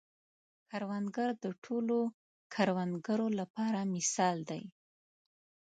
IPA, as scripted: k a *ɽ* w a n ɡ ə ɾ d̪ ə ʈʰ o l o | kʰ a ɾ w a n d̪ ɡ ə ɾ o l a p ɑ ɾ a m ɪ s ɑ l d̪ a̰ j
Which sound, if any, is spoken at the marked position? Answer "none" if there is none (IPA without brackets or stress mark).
ɾ